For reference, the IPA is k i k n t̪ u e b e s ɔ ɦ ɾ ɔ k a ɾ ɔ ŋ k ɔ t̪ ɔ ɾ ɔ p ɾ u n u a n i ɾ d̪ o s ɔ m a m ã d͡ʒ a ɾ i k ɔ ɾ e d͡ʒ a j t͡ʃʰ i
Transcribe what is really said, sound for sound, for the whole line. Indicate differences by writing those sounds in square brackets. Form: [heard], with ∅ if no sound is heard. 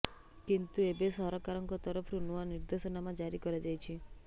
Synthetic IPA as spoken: k i [∅] n t̪ u e b e s ɔ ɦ ɾ ɔ k a ɾ ɔ ŋ k ɔ t̪ ɔ ɾ ɔ [pʰ] ɾ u n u a n i ɾ d̪ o s ɔ [n] a m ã d͡ʒ a ɾ i k ɔ ɾ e d͡ʒ a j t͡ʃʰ i

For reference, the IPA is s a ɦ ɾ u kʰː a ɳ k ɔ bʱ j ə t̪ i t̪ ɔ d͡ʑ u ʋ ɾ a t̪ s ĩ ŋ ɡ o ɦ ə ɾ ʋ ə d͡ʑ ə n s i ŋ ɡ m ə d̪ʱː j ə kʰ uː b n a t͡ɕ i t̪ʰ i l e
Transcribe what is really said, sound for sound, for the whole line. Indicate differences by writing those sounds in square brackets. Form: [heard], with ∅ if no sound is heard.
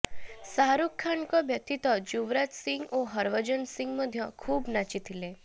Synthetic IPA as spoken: s a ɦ ɾ u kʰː a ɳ k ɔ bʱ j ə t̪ i t̪ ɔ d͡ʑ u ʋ ɾ a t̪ s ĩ ŋ ɡ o ɦ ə ɾ ʋ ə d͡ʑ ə n s i ŋ ɡ m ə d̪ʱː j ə kʰ uː b n a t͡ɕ i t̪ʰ i l e

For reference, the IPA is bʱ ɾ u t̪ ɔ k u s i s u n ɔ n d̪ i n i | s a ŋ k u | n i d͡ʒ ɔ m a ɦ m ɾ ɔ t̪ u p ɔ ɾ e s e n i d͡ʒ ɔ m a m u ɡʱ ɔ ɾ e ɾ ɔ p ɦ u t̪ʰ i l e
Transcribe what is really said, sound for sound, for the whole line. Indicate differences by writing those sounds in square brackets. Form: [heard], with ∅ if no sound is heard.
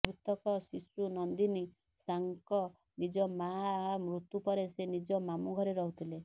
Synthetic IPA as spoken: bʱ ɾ u t̪ ɔ k [ɔ] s i s u n ɔ n d̪ i n i | s a ŋ k [ɔ] | n i d͡ʒ ɔ m a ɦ m ɾ [u] t̪ u p ɔ ɾ e s e n i d͡ʒ ɔ m a m u ɡʱ ɔ ɾ e ɾ ɔ [∅] ɦ u t̪ʰ i l e

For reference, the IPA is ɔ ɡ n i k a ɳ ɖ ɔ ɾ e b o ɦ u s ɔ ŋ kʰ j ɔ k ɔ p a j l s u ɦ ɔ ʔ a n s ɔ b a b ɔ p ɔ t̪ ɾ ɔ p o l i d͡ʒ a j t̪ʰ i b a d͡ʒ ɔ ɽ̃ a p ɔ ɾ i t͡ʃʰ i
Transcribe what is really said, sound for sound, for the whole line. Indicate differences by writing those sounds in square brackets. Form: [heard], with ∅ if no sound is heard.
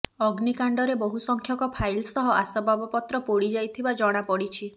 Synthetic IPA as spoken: ɔ ɡ n i k a ɳ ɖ ɔ ɾ e b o ɦ u s ɔ ŋ kʰ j ɔ k ɔ [pʰ] a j l s [ɔ] ɦ ɔ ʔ a [∅] s ɔ b a b ɔ p ɔ t̪ ɾ ɔ p o [ɽ] i d͡ʒ a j t̪ʰ i b a d͡ʒ ɔ ɽ̃ a p ɔ [ɽ] i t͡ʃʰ i

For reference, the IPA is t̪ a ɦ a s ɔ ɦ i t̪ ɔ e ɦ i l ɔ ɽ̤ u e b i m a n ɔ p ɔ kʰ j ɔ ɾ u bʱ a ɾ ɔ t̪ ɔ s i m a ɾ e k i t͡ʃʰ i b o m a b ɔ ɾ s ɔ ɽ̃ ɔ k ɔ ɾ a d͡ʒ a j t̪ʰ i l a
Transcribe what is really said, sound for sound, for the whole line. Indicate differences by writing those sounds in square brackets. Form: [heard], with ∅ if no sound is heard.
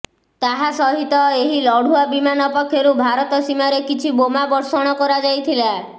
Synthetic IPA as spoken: t̪ a ɦ a s ɔ ɦ i t̪ ɔ e ɦ i l ɔ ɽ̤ u [a] b i m a n ɔ p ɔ kʰ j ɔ ɾ u bʱ a ɾ ɔ t̪ ɔ s i m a ɾ e k i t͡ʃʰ i b o m a b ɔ ɾ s ɔ ɽ̃ ɔ k ɔ ɾ a d͡ʒ a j t̪ʰ i l a

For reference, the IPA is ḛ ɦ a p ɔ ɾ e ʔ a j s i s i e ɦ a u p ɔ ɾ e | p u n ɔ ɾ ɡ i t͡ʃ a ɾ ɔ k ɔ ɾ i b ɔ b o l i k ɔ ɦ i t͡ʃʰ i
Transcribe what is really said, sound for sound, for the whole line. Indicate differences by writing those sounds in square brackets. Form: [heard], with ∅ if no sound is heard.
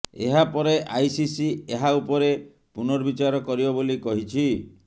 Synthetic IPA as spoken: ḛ ɦ a p ɔ ɾ e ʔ a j s i s i e ɦ a u p ɔ ɾ e | p u n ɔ ɾ [b] i t͡ʃ a ɾ ɔ k ɔ ɾ i b ɔ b o l i k ɔ ɦ i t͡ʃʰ i

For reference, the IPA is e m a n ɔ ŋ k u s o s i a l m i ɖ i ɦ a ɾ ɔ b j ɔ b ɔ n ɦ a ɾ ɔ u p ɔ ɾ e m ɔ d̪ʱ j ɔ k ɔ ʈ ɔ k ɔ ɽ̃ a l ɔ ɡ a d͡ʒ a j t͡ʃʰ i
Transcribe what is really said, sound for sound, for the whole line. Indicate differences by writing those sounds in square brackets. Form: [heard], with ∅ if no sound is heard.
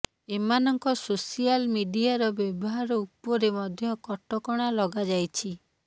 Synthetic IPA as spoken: e m a n ɔ ŋ k [ɔ] s o s i a l m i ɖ i [∅] a ɾ ɔ b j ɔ b ɔ [∅] ɦ a ɾ ɔ u p ɔ ɾ e m ɔ d̪ʱ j ɔ k ɔ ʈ ɔ k ɔ ɽ̃ a l ɔ ɡ a d͡ʒ a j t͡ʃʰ i

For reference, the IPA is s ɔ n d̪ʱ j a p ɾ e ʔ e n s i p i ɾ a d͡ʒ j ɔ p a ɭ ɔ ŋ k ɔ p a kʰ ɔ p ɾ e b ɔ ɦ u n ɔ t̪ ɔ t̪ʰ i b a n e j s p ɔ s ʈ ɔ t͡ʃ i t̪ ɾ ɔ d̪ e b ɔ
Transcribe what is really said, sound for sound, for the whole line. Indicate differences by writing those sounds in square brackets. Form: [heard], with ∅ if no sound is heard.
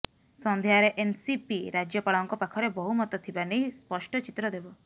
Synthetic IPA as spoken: s ɔ n d̪ʱ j a [∅] ɾ e ʔ e n s i p i ɾ a d͡ʒ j ɔ p a ɭ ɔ ŋ k ɔ p a kʰ ɔ [∅] ɾ e b ɔ ɦ u [m] ɔ t̪ ɔ t̪ʰ i b a n e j s p ɔ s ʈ ɔ t͡ʃ i t̪ ɾ ɔ d̪ e b ɔ

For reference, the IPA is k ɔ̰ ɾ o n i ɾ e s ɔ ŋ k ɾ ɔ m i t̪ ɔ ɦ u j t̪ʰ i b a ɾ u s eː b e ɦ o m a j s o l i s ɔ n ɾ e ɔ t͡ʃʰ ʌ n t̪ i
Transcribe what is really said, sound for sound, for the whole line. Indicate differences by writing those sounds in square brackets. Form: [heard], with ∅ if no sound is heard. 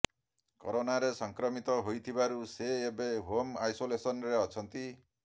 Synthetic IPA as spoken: k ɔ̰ ɾ o n [a] ɾ e s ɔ ŋ k ɾ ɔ m i t̪ ɔ ɦ [o] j t̪ʰ i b a ɾ u s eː b e ɦ o m a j s o l [e] s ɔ n ɾ e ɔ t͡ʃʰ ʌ n t̪ i

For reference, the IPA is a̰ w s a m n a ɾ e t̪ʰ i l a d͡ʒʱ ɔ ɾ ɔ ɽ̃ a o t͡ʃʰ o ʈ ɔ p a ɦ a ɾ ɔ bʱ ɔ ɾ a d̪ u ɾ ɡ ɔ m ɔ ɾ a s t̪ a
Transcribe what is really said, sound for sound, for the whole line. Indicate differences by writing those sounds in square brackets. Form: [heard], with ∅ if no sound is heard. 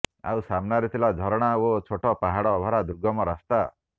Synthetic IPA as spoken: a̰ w s a m n a ɾ [i] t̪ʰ i l a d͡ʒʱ ɔ ɾ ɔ ɽ̃ a o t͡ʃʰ o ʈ ɔ p a ɦ a [ɽ] ɔ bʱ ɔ ɾ a d̪ u ɾ ɡ ɔ m ɔ ɾ a s t̪ a

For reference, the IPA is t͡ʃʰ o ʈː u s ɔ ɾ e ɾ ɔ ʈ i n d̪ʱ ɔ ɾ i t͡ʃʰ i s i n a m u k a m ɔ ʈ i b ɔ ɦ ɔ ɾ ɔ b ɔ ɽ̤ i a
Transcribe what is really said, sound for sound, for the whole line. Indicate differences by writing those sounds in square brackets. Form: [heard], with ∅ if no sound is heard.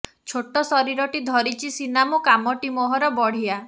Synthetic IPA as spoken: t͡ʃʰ o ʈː [ɔ] s ɔ ɾ [i] ɾ ɔ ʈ i [∅] d̪ʱ ɔ ɾ i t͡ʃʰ i s i n a m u k a m ɔ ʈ i [m] ɔ ɦ ɔ ɾ ɔ b ɔ ɽ̤ i a

